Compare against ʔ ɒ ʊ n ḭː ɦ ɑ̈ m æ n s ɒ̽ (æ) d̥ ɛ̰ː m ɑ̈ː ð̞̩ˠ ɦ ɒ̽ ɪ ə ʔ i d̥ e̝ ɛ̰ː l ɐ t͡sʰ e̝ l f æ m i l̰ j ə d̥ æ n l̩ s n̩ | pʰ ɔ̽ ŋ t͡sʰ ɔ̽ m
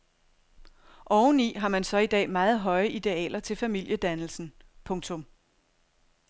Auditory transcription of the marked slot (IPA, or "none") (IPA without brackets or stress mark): i